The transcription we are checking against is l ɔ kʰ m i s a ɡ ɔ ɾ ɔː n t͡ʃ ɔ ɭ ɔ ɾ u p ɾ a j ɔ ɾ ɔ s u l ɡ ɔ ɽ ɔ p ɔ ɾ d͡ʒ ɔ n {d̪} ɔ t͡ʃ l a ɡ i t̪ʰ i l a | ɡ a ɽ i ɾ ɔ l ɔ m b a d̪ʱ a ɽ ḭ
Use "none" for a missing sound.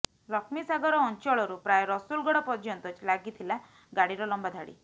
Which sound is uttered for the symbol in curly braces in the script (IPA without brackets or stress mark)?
t̪